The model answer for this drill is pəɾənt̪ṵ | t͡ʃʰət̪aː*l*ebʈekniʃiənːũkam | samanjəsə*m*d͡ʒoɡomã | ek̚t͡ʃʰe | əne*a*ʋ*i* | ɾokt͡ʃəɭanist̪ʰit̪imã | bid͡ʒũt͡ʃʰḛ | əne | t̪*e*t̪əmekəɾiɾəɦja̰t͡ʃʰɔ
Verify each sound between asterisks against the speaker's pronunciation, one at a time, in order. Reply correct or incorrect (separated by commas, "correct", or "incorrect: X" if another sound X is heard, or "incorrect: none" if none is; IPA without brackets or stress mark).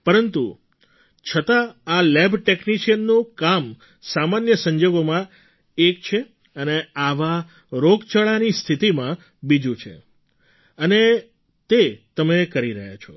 correct, incorrect: ɲ, correct, incorrect: a, correct